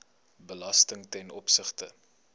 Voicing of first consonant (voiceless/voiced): voiced